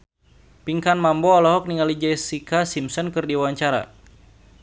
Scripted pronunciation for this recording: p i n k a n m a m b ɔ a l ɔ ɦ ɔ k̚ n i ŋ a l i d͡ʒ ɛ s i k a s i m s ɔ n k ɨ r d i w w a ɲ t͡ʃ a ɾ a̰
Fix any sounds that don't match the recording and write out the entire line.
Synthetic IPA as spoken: p i ŋ k a n m a m b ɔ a l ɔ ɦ ɔ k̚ n i ŋ a l i d͡ʒ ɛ s i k a s i m s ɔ n k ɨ r d i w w a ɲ t͡ʃ a ɾ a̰